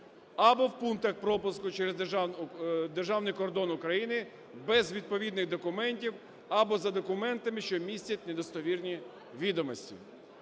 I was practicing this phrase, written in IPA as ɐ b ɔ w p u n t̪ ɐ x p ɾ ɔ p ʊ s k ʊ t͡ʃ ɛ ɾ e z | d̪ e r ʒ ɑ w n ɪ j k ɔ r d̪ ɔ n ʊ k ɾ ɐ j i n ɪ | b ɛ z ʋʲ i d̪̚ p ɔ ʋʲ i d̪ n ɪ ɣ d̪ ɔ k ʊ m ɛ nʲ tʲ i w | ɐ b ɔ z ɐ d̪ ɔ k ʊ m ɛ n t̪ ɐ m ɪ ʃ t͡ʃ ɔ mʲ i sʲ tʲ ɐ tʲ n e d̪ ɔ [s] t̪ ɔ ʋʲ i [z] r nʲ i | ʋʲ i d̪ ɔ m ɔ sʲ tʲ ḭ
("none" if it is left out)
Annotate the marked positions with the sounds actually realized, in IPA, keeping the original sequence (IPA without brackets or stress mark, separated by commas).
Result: s, none